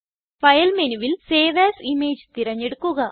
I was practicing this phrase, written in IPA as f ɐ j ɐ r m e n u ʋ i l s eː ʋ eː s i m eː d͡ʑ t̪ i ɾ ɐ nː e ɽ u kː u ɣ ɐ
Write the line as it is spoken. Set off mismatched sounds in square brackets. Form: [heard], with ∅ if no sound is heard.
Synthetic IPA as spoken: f ɐ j ɐ [l] m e n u ʋ i l s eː ʋ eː s i m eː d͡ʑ t̪ i ɾ ɐ [ɲː] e ɽ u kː u ɣ ɐ